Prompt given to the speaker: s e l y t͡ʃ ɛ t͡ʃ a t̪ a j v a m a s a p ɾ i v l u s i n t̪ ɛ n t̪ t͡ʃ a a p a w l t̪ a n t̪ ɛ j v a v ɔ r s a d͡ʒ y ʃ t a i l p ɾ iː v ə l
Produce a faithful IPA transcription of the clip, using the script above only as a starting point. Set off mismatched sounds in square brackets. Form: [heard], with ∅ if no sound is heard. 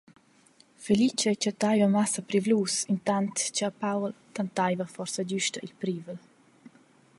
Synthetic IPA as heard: [f] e l [i] t͡ʃ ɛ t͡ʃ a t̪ a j v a m a s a p ɾ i v l u s i n t̪ [a] n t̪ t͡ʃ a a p a w l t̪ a n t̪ [a] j v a [f] ɔ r s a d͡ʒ y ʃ t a i l p ɾ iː v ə l